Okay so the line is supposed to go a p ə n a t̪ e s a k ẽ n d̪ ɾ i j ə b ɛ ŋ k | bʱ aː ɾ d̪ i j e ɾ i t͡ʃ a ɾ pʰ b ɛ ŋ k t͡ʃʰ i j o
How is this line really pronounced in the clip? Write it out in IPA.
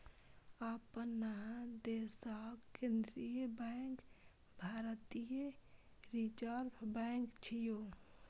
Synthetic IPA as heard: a p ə n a d̪ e s a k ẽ n d̪ ɾ i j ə b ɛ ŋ k | bʱ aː ɾ t̪ i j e ɾ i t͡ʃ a ɾ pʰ b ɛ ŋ k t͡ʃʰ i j o